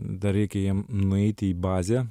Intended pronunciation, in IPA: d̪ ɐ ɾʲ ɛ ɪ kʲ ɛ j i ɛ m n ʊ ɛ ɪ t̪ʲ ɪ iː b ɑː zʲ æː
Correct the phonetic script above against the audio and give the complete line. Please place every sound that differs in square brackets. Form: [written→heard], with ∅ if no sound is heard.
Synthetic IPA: d̪ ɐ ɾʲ ɛ ɪ kʲ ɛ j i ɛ m n ʊ ɛ ɪ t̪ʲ ɪ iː b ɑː zʲ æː